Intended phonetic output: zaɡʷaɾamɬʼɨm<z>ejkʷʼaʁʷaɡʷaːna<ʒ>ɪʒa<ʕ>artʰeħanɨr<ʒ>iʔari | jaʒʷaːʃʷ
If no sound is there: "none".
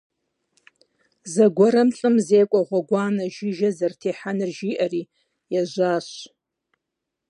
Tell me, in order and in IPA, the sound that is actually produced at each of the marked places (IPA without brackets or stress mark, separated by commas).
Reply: z, ʒ, z, ʒ